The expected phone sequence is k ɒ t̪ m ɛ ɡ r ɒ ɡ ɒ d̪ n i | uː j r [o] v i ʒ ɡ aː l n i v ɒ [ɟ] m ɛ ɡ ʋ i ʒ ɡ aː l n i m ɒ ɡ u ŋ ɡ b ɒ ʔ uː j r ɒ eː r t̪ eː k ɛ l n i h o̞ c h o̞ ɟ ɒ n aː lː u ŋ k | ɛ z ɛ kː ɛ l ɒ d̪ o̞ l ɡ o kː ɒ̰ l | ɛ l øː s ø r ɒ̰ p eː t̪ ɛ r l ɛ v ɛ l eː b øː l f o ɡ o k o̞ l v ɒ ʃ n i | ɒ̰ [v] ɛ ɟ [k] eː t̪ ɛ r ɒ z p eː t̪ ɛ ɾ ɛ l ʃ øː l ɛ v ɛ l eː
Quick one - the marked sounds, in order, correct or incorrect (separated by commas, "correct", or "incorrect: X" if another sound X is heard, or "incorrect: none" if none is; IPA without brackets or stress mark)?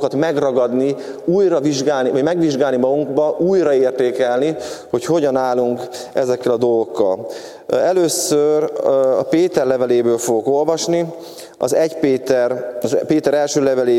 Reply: incorrect: ɒ, correct, incorrect: z, incorrect: p